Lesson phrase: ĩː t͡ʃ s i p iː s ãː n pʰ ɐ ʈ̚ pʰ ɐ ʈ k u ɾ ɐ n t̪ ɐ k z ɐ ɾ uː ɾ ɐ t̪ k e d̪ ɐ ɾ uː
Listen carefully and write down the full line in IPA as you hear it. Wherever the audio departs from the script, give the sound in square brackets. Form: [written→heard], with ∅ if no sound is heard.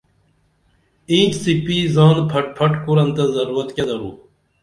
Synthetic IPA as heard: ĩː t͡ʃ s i p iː [s→z] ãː n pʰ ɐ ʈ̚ pʰ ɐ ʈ k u ɾ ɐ n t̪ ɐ [k→∅] z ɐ ɾ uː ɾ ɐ t̪ k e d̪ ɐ ɾ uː